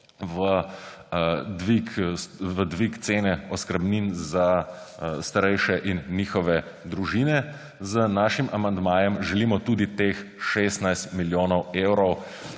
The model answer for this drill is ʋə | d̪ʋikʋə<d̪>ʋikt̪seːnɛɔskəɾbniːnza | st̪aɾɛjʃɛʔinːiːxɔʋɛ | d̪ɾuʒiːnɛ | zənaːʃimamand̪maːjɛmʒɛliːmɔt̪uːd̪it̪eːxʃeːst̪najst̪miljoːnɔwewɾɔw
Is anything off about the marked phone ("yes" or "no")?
no